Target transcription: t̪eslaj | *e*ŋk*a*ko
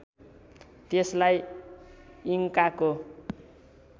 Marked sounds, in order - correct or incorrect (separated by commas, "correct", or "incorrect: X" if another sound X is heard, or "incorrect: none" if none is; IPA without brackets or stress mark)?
incorrect: i, correct